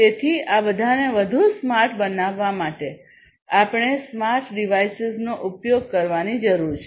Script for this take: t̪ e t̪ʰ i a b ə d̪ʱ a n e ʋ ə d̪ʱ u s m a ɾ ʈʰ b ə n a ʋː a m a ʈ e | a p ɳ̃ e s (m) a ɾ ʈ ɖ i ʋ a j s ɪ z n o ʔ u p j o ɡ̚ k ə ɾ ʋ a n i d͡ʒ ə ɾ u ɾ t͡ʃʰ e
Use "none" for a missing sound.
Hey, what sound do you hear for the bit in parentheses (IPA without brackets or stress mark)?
m